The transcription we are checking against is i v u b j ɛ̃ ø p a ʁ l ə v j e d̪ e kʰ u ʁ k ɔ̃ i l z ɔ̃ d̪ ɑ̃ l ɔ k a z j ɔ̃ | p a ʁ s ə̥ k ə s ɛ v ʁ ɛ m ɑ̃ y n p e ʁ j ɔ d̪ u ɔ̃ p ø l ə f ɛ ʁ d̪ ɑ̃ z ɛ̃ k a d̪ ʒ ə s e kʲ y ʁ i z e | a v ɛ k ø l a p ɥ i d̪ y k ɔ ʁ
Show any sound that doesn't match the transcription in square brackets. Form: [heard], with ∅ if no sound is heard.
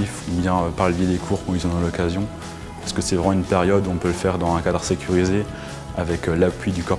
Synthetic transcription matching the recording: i [f] u b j ɛ̃ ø p a ʁ l ə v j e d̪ e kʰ u ʁ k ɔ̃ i l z ɔ̃ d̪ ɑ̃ l ɔ k a z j ɔ̃ | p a ʁ s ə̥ k ə s ɛ v ʁ ɛ m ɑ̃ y n p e ʁ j ɔ d̪ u ɔ̃ p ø l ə f ɛ ʁ d̪ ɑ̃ z ɛ̃ k a d̪ [ʁ] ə s e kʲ y ʁ i z e | a v ɛ k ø l a p ɥ i d̪ y k ɔ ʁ